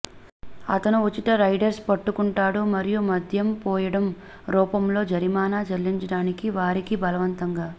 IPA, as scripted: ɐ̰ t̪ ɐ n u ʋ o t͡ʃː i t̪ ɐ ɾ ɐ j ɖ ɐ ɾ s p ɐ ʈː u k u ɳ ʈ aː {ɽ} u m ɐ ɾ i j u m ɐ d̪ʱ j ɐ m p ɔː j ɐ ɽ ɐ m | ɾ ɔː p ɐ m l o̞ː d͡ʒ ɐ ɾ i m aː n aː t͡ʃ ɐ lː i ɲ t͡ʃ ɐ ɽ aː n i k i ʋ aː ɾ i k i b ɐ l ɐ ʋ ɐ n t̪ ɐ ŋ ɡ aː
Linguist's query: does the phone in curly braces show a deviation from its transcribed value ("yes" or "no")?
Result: no